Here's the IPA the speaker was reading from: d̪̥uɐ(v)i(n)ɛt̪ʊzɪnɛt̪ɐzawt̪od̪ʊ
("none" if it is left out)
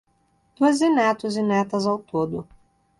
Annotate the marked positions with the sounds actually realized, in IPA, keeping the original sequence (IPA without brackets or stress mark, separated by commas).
z, n